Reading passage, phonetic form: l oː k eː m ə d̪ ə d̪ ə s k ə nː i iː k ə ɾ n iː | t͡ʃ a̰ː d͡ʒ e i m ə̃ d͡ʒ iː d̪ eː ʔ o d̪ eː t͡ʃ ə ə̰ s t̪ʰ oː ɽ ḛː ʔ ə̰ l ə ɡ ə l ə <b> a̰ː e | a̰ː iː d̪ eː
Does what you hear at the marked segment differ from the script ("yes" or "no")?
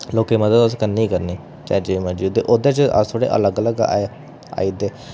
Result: yes